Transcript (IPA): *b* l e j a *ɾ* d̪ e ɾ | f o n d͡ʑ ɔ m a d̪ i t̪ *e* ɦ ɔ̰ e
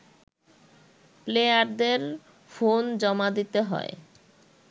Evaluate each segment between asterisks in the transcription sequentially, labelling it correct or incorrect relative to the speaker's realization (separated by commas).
incorrect, correct, correct